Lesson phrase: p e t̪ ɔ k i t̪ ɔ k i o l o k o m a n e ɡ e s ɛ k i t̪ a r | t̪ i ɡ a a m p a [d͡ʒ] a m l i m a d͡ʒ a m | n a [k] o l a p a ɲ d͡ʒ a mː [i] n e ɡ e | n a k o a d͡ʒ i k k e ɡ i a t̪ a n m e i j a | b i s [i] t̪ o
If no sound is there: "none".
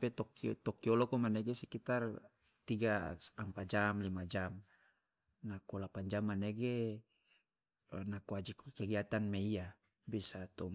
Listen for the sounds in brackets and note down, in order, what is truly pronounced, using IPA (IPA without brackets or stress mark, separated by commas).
d͡ʒ, k, a, a